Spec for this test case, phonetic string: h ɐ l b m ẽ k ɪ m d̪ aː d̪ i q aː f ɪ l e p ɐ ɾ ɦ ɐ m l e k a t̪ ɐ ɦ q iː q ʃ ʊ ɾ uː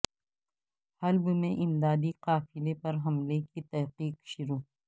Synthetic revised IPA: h ɐ l b m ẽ ʔ ɪ m d̪ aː d̪ i q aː f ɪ l e p ɐ ɾ ɦ ɐ m l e k i t̪ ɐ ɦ q iː q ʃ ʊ ɾ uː